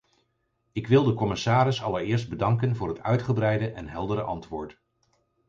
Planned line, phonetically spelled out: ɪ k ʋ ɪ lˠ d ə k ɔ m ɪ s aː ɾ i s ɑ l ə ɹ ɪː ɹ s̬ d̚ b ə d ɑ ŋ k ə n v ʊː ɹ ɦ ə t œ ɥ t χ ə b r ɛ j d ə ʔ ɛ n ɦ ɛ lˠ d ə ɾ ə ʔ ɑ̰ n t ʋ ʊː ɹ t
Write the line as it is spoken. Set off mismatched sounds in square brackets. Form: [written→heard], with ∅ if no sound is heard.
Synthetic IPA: ɪ k ʋ ɪ lˠ d ə k ɔ m ɪ s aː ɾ [i→ɪ] s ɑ l ə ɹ ɪː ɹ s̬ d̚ b ə d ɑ ŋ k ə n v ʊː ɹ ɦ ə t œ ɥ t χ ə b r ɛ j d ə ʔ ɛ n ɦ ɛ lˠ d ə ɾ ə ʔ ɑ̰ n t ʋ ʊː ɹ t